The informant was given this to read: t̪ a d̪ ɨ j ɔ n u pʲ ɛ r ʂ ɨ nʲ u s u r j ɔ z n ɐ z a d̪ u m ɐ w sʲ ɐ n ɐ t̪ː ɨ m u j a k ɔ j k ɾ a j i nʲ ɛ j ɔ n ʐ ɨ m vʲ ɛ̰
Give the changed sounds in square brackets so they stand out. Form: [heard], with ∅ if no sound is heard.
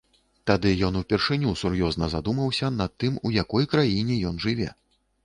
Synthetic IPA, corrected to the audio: t̪ a d̪ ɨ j ɔ n u pʲ ɛ r ʂ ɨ nʲ u s u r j ɔ z n ɐ z a d̪ u m ɐ w sʲ ɐ n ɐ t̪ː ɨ m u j a k ɔ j k ɾ a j i nʲ ɛ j ɔ n ʐ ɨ [∅] vʲ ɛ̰